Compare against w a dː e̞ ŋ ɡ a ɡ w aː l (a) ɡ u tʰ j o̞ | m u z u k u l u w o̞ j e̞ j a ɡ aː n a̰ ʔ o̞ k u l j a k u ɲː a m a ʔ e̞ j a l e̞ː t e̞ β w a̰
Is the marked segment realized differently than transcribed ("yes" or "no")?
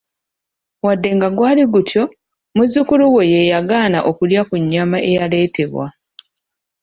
yes